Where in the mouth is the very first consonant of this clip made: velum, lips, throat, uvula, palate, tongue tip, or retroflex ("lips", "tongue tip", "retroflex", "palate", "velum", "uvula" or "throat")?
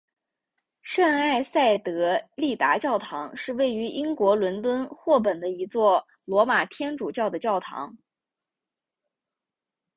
retroflex